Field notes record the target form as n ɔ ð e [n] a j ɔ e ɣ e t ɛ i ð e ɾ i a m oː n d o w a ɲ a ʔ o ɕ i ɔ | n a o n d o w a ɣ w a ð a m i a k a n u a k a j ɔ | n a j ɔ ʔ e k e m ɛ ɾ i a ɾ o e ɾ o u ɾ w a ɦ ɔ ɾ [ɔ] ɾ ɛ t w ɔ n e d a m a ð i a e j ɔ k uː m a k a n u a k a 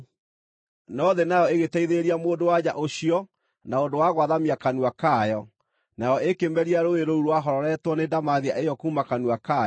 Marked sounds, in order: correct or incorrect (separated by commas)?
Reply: correct, correct